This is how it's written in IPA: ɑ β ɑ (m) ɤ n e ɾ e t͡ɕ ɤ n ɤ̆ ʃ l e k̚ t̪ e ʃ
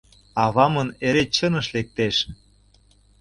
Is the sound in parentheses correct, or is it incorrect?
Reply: correct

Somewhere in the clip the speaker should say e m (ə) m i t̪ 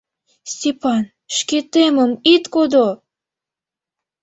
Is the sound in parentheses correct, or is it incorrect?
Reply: correct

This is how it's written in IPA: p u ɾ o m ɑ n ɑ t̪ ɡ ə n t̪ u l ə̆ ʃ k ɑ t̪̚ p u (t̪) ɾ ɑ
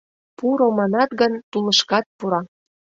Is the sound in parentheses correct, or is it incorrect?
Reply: incorrect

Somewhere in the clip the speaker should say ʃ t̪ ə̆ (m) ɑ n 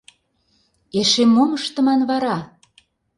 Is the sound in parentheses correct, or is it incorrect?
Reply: correct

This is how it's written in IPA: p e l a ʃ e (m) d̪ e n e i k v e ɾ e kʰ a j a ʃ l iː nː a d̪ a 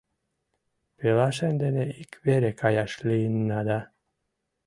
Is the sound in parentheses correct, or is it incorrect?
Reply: incorrect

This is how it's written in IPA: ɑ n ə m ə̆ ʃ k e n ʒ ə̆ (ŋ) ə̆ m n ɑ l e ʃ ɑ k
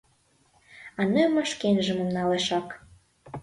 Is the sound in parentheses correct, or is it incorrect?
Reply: incorrect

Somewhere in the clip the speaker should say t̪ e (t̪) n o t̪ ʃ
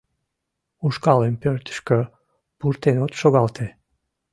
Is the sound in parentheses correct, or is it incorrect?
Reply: incorrect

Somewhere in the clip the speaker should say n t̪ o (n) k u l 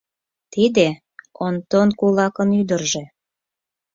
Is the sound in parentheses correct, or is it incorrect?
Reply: correct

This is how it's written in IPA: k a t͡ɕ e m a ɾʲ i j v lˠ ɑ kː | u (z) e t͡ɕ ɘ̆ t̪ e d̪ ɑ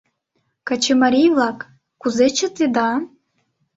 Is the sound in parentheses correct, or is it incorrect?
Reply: correct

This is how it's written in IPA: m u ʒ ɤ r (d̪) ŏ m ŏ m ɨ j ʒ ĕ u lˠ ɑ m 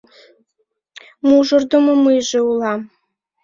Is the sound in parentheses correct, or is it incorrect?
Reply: correct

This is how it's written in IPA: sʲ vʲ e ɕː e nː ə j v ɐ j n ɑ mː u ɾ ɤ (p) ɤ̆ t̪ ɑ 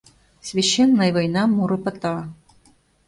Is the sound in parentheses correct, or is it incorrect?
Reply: correct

